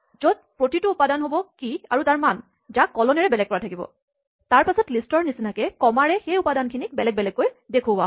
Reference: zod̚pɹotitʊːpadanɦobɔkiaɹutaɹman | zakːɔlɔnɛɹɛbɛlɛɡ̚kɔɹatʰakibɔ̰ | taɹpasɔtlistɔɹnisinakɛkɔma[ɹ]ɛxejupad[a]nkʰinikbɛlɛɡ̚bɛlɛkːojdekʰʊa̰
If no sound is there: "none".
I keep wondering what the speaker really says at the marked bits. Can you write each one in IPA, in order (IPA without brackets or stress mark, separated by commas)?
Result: ɹ, a